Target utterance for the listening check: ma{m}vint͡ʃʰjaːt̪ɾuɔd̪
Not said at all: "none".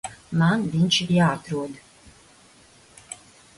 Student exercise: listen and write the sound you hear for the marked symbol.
n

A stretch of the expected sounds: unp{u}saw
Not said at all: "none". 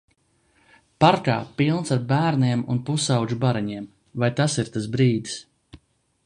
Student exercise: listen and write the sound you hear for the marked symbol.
u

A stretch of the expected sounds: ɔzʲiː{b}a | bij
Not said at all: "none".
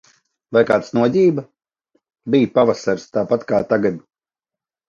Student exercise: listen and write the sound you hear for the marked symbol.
b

